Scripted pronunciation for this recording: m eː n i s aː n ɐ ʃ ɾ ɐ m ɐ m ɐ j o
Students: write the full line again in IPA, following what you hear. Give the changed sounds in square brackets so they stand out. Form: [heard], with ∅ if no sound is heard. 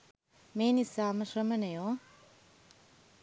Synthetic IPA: m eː n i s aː [m] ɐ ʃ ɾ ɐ m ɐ [n] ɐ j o